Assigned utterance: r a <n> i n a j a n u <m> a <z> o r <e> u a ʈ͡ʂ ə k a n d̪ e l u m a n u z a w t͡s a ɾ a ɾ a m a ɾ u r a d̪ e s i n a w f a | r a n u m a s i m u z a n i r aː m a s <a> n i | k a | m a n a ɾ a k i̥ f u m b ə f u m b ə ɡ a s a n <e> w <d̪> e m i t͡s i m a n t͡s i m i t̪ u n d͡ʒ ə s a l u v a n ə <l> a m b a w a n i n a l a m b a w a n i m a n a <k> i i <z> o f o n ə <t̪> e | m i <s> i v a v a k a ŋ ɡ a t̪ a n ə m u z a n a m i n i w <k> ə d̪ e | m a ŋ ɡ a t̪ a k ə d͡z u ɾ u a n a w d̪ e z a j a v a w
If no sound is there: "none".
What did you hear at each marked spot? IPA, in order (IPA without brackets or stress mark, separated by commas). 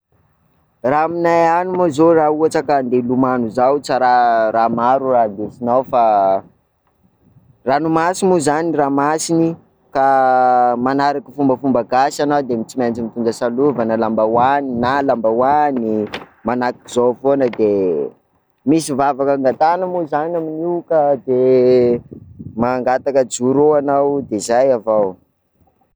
m, m, z, a, i, a, d̪, l, k, z, d̪, s, k